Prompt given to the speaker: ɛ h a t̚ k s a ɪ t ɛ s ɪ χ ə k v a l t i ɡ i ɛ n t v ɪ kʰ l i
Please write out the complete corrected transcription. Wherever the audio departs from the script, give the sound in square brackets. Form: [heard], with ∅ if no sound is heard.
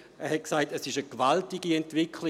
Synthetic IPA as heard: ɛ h [ɛ] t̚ k s a ɪ t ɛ s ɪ [ʃ] ə k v a l t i ɡ i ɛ n t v ɪ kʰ l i